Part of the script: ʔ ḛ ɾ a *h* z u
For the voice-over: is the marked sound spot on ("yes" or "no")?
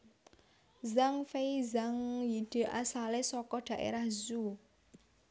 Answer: yes